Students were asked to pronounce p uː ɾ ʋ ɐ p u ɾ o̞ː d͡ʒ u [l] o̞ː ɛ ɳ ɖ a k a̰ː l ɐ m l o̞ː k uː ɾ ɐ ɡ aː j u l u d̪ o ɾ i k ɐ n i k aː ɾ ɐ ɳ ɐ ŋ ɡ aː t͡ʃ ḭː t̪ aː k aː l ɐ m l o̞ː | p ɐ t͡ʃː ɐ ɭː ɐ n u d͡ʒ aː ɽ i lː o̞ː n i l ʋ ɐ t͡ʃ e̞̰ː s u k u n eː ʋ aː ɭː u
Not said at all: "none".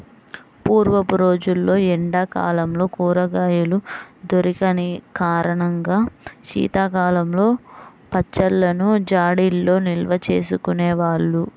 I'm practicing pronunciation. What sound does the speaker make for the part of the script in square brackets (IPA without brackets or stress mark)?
lː